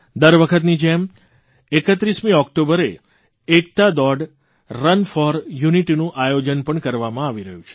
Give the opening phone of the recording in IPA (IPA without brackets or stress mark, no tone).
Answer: d̪